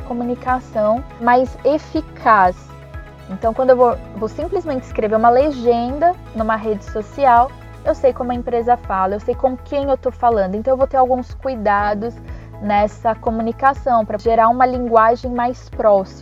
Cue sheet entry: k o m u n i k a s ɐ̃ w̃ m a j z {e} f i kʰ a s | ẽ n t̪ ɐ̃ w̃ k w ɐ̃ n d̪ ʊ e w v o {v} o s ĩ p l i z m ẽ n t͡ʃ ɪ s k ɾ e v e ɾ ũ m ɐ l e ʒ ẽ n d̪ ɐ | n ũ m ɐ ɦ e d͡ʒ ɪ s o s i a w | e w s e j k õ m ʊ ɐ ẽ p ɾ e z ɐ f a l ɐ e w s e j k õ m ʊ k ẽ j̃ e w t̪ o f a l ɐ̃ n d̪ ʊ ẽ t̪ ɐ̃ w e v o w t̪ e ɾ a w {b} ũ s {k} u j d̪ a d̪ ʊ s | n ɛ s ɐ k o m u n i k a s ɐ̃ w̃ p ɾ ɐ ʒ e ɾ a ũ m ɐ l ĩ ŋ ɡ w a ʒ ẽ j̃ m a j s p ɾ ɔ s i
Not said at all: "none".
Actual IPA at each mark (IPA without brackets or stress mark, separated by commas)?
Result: e, v, ɡ, k